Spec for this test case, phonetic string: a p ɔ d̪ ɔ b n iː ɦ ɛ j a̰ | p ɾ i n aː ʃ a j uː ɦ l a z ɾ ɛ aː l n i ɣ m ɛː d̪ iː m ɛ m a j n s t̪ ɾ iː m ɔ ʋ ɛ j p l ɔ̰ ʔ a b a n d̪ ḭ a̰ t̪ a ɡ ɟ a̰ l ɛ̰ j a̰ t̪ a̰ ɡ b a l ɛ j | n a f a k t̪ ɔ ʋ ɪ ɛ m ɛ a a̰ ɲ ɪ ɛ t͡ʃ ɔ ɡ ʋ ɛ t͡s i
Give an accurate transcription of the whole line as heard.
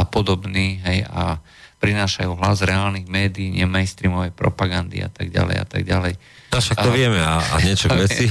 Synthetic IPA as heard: a p ɔ d̪ ɔ b n iː ɦ ɛ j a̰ | p ɾ i n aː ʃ a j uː ɦ l a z ɾ ɛ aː l n i ɣ m ɛː d̪ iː ɲ ɛ m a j n s t̪ ɾ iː m ɔ ʋ ɛ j p ɾ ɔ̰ p a ɡ a n d̪ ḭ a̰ t̪ a ɡ ɟ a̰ l ɛ̰ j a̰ t̪ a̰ ɡ ɟ a l ɛ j | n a ʃ a k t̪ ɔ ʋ ɪ ɛ m ɛ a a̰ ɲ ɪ ɛ t͡ʃ ɔ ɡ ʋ ɛ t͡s i